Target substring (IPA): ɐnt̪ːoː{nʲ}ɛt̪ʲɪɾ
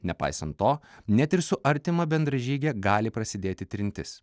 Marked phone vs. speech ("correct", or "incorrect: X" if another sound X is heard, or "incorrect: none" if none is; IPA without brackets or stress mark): correct